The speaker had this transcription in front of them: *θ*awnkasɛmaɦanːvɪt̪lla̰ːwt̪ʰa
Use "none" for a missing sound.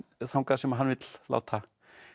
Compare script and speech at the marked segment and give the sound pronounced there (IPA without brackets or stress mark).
θ